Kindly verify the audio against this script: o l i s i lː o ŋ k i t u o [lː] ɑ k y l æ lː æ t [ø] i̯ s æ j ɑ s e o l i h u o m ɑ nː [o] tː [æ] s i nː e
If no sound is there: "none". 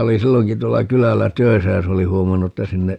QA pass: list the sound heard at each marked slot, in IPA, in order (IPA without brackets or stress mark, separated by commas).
lː, ø, u, æ